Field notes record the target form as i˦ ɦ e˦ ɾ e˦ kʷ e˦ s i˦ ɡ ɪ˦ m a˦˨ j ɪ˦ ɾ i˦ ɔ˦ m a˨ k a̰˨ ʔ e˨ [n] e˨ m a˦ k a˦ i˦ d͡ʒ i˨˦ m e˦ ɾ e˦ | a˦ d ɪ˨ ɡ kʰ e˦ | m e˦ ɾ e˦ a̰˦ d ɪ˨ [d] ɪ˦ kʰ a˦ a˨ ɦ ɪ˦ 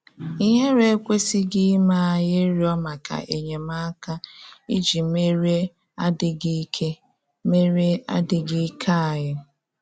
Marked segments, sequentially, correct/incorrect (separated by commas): incorrect, incorrect